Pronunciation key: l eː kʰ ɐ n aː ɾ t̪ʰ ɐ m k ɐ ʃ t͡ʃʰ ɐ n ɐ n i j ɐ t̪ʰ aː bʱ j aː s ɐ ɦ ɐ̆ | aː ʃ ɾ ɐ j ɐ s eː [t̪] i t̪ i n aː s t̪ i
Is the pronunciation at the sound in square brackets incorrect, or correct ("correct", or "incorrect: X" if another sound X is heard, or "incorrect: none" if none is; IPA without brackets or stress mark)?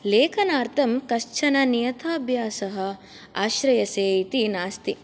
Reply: incorrect: none